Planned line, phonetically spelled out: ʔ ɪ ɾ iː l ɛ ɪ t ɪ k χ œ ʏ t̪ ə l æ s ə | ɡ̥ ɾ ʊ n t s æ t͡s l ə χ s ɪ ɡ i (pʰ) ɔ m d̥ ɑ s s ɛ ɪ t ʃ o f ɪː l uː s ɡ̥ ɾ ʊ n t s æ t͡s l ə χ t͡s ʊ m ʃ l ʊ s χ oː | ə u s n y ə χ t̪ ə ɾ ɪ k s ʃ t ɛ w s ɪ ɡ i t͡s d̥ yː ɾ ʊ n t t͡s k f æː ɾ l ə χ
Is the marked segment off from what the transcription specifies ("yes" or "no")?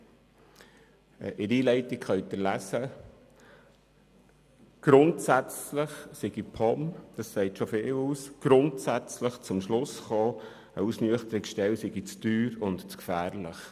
no